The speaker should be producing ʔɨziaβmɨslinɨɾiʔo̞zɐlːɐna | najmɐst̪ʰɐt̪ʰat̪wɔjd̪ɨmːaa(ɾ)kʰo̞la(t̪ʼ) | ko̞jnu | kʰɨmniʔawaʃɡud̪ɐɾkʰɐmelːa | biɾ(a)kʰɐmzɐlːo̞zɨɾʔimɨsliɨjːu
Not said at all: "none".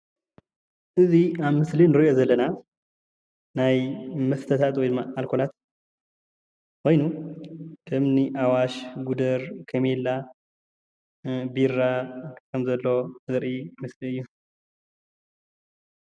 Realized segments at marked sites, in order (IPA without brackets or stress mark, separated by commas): l, t̪, a